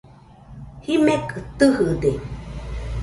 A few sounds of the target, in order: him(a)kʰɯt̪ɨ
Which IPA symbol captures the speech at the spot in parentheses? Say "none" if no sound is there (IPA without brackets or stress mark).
e